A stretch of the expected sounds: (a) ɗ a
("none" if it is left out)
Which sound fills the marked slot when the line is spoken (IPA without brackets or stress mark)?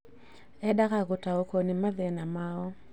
ɛ